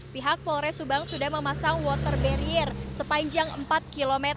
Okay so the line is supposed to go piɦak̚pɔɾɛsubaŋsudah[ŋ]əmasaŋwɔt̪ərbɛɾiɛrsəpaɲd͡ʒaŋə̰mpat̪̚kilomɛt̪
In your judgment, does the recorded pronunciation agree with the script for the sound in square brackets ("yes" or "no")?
no